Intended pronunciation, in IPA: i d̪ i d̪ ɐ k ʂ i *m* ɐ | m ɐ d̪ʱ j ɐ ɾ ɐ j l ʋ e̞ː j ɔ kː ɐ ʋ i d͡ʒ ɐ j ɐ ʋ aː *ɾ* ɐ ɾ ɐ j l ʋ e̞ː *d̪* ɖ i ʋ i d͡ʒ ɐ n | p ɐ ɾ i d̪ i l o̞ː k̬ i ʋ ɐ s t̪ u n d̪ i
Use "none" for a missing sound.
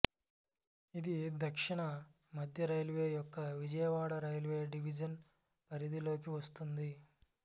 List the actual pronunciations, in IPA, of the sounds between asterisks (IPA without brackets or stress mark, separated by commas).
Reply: ɳ, ɽ, none